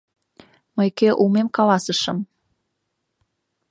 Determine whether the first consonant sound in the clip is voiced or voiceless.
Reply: voiced